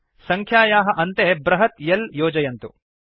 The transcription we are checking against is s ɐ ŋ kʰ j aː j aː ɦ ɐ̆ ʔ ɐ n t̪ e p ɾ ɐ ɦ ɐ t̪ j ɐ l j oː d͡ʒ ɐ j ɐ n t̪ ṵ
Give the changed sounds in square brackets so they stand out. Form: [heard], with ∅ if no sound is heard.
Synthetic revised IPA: s ɐ ŋ kʰ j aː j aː ɦ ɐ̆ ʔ ɐ n t̪ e [b] ɾ ɐ ɦ ɐ t̪ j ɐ l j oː d͡ʒ ɐ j ɐ n t̪ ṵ